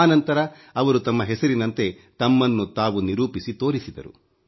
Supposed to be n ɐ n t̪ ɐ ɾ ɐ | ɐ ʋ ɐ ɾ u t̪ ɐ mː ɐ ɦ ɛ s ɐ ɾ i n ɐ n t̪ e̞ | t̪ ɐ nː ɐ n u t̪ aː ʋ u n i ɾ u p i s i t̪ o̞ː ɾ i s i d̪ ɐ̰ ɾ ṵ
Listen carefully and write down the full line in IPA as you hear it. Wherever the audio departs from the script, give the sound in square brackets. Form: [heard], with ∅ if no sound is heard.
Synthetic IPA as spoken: n ɐ n t̪ ɐ ɾ ɐ | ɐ ʋ ɐ ɾ u t̪ ɐ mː ɐ ɦ ɛ s ɐ ɾ i n ɐ n t̪ e̞ | t̪ ɐ [mː] ɐ [nː] u t̪ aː ʋ u n i ɾ [uː] p i s i t̪ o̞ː ɾ i s i d̪ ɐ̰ ɾ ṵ